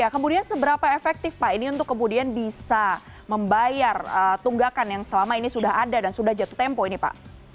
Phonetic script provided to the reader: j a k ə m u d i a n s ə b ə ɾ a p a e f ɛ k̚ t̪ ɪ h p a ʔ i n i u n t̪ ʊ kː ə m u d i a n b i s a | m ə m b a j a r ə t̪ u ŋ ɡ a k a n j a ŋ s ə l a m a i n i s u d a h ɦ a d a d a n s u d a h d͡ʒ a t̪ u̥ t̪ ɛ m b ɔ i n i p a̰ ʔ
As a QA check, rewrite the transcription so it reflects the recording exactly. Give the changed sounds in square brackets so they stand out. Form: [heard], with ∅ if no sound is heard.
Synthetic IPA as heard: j a k ə m u d i a n s ə b ə ɾ a p a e f ɛ k̚ t̪ ɪ [f] p a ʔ i n i u n t̪ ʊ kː ə m u d i a n b i s a | m ə m b a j a r ə t̪ u ŋ ɡ a k a n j a ŋ s ə l a m a i n i s u d a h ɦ a d a d a n s u d a h d͡ʒ a t̪ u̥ t̪ ɛ m [p] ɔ i n i p a̰ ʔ